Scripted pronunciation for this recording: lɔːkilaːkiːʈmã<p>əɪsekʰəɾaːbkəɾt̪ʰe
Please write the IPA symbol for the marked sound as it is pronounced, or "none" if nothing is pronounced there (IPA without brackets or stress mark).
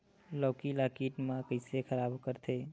k